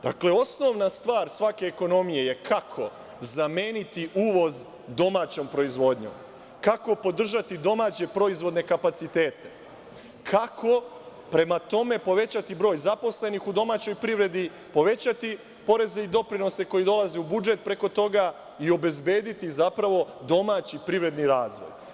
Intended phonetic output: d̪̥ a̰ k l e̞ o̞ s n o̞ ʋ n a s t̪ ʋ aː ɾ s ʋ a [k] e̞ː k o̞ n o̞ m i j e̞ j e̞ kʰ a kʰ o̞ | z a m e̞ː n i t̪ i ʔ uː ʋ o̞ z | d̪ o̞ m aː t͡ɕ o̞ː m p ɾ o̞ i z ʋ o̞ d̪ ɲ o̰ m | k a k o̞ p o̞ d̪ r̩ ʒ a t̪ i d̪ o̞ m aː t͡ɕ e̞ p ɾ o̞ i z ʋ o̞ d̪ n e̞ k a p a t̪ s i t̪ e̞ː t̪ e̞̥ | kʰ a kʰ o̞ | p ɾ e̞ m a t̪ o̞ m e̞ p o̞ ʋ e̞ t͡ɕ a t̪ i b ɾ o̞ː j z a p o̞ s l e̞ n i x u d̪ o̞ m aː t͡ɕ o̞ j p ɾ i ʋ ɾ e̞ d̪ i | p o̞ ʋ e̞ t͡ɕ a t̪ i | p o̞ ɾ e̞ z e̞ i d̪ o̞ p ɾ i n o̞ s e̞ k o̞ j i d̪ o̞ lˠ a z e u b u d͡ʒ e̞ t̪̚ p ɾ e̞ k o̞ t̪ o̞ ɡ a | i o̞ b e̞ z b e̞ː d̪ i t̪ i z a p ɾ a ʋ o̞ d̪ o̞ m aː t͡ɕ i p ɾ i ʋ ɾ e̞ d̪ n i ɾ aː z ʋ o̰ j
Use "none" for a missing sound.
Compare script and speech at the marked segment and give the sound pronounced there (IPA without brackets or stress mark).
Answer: k